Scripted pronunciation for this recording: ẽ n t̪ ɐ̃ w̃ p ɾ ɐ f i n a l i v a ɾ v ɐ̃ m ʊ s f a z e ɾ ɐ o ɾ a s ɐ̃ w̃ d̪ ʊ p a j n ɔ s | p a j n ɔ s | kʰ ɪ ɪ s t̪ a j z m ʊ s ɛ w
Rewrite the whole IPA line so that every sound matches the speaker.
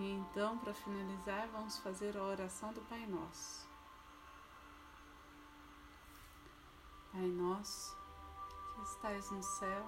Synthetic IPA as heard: ẽ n t̪ ɐ̃ w̃ p ɾ ɐ f i n a l i z a ɾ v ɐ̃ m ʊ s f a z e ɾ ɐ o ɾ a s ɐ̃ w̃ d̪ ʊ p a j n ɔ s | p a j n ɔ s | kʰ ɪ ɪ s t̪ a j z n ʊ s ɛ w